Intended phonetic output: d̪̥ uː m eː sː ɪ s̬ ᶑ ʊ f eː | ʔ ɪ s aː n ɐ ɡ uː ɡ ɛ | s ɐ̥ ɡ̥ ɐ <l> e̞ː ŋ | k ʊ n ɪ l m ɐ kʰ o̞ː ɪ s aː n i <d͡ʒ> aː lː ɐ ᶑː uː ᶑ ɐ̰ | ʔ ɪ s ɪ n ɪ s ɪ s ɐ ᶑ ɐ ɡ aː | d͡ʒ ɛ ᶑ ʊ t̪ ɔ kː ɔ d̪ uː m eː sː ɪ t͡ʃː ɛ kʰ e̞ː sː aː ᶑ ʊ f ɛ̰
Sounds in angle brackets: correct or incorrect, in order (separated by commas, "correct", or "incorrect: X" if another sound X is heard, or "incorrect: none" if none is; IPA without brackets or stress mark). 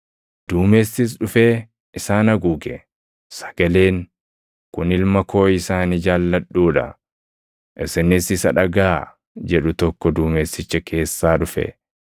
correct, correct